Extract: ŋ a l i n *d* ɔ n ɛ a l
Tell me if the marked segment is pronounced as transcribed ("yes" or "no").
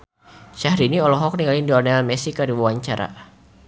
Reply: yes